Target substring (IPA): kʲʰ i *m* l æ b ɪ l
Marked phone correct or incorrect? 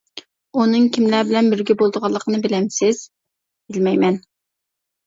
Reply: correct